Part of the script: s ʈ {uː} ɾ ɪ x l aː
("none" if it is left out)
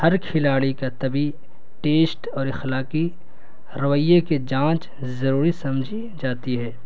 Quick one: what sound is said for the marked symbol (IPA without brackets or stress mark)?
ɔː